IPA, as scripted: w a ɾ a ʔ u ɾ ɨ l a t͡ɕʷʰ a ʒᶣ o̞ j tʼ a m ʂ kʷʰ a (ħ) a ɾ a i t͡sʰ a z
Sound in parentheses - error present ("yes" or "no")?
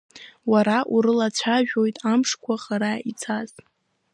yes